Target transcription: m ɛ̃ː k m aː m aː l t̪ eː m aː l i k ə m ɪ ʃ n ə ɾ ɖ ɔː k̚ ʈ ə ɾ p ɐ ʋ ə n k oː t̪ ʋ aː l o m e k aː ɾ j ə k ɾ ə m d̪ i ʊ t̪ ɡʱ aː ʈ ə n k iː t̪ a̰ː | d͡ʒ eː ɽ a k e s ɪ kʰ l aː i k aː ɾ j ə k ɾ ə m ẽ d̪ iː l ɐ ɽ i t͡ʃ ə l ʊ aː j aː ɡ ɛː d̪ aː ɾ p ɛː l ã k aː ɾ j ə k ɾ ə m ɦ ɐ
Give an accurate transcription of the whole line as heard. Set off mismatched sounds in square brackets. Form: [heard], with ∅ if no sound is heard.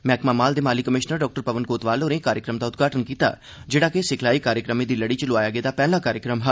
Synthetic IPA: m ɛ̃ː k m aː m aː l [d̪] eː m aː l i k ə m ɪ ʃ n ə ɾ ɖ ɔː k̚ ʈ ə ɾ p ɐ ʋ ə n k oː t̪ ʋ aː l o [n] e k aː ɾ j ə k ɾ ə m d̪ [a] ʊ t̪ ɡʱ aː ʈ ə n k iː t̪ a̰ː | d͡ʒ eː ɽ a k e s ɪ kʰ l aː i k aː ɾ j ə k ɾ ə m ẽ d̪ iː l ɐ ɽ i t͡ʃ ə l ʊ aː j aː ɡ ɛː d̪ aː [∅] p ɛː l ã k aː ɾ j ə k ɾ ə m ɦ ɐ